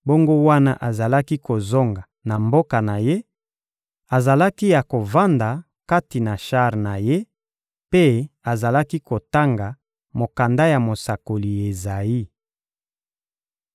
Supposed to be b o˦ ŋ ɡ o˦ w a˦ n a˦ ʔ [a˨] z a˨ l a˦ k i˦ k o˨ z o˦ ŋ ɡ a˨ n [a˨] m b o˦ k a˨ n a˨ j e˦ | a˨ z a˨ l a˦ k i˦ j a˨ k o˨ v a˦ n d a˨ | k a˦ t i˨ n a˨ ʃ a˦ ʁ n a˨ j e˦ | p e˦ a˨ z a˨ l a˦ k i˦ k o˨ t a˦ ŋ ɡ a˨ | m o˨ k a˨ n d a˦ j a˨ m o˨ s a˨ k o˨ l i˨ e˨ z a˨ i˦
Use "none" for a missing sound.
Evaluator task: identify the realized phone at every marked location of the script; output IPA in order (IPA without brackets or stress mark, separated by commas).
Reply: a˨, a˨